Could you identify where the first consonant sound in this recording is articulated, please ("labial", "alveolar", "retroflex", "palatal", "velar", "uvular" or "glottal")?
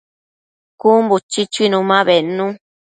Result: velar